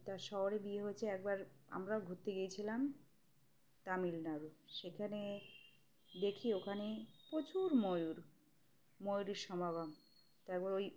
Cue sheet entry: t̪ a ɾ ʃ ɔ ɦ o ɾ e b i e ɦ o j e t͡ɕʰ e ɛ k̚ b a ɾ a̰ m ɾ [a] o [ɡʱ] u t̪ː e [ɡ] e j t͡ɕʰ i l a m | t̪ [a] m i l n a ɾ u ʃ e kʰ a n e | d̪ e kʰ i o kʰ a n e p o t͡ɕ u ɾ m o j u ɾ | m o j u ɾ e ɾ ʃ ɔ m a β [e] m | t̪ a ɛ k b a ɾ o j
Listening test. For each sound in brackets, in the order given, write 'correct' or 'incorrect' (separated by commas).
correct, correct, correct, correct, incorrect